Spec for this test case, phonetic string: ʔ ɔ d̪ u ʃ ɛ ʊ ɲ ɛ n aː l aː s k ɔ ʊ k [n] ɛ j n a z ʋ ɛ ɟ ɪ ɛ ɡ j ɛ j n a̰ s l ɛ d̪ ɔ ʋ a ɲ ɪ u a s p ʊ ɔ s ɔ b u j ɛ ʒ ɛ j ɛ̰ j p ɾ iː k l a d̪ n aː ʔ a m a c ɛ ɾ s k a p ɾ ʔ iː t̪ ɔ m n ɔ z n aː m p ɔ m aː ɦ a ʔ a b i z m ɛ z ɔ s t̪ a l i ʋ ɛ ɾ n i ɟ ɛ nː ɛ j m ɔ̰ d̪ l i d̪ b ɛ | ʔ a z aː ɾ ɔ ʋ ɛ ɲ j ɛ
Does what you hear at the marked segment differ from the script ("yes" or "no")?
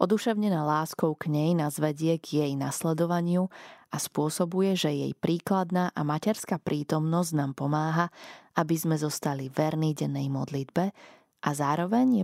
yes